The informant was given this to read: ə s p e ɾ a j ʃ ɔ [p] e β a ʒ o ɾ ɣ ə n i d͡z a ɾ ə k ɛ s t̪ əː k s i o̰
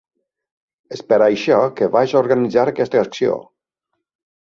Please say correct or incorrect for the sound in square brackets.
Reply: incorrect